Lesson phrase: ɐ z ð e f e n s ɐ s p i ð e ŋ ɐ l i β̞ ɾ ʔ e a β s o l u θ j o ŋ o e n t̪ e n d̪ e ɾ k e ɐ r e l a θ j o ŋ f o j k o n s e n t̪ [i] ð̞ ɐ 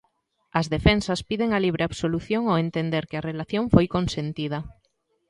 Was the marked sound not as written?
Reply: no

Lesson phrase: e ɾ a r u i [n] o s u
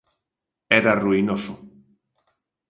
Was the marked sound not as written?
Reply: no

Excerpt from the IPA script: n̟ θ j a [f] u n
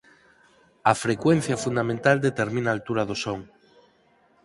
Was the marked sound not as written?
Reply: no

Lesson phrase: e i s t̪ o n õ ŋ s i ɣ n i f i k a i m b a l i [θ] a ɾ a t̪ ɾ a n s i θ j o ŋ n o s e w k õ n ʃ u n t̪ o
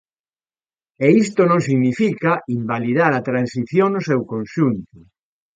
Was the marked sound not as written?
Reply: yes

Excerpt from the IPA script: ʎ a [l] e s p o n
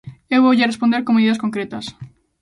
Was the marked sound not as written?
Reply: yes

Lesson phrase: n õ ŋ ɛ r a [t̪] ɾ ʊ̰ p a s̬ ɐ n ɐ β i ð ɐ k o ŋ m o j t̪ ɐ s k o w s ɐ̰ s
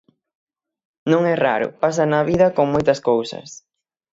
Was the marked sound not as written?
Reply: yes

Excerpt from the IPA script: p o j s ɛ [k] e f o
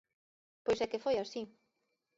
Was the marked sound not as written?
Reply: no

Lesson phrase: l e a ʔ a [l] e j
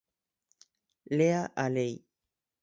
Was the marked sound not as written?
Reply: no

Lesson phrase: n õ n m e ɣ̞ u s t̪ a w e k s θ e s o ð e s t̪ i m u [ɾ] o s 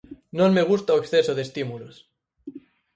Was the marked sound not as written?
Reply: yes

